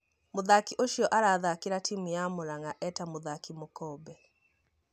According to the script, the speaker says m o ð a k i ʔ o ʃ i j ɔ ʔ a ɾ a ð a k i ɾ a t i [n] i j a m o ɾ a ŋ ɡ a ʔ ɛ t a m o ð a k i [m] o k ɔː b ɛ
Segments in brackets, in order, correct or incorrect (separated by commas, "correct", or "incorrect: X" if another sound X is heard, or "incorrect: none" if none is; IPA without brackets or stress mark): incorrect: m, correct